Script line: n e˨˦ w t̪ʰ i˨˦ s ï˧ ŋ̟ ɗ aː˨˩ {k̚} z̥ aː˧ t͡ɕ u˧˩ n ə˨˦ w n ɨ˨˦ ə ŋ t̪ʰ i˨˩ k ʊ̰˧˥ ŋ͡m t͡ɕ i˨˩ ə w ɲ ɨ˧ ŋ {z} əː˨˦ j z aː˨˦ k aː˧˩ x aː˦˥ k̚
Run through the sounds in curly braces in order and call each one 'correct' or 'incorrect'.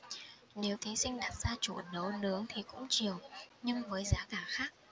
incorrect: t̚, incorrect: v

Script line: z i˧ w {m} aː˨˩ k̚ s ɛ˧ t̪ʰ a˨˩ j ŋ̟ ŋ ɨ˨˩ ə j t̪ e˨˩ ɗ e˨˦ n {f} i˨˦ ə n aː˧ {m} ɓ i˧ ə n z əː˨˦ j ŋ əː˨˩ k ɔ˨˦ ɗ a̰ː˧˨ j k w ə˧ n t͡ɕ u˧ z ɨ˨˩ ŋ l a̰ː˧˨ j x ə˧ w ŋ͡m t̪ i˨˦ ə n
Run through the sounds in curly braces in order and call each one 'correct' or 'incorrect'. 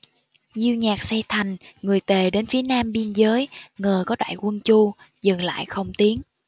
incorrect: ɲ, correct, correct

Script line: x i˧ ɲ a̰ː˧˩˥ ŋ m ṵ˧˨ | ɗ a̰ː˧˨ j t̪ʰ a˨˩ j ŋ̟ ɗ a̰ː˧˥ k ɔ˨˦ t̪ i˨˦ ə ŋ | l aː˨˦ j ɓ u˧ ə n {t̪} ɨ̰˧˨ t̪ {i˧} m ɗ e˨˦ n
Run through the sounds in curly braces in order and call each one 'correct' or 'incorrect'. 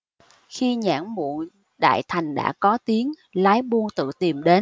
correct, incorrect: i˨˩

